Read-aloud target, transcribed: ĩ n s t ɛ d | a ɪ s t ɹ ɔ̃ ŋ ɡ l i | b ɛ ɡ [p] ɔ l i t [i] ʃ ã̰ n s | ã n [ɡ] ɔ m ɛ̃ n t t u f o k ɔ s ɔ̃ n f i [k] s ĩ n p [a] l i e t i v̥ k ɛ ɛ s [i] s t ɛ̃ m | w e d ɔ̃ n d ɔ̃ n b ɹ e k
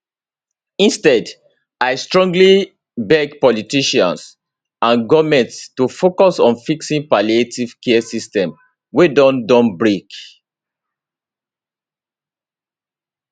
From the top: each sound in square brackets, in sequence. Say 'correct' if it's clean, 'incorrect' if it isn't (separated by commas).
correct, correct, correct, correct, correct, correct